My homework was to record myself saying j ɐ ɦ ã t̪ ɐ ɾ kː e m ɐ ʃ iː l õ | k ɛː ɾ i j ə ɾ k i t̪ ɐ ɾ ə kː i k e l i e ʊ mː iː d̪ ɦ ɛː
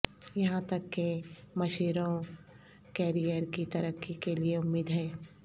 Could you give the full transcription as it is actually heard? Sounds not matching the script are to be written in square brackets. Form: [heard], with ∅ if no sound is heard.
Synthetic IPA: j ɐ ɦ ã t̪ ɐ [∅] kː e m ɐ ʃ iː [ɾ] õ | k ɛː ɾ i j ə ɾ k i t̪ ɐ ɾ ə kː i k e l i e ʊ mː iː d̪ ɦ ɛː